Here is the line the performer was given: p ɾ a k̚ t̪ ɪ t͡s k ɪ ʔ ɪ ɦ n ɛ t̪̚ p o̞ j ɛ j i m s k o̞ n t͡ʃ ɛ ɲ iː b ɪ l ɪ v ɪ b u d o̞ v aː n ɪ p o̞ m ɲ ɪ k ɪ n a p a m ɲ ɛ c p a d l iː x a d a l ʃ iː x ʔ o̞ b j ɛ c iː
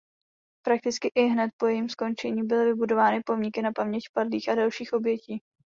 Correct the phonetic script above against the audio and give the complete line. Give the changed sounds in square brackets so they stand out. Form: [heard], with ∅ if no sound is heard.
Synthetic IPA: p ɾ a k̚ t̪ ɪ t͡s k ɪ ʔ ɪ ɦ n ɛ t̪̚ p o̞ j ɛ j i m s k o̞ n t͡ʃ ɛ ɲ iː b ɪ l ɪ v ɪ b u d o̞ v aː n ɪ p o̞ m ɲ ɪ k ɪ n a p a m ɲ ɛ c p a d l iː x a d a l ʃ iː x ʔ o̞ b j ɛ c iː